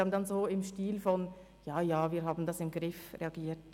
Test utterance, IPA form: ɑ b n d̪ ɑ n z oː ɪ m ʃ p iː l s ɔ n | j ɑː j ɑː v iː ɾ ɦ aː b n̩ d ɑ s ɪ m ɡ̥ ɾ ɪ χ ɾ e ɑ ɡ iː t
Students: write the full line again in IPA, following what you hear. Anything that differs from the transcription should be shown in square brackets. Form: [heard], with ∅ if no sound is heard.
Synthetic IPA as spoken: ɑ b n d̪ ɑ n z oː ɪ m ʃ [t] iː l [f] ɔ n | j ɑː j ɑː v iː ɾ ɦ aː b n̩ d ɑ s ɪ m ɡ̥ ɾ ɪ [f] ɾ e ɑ ɡ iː t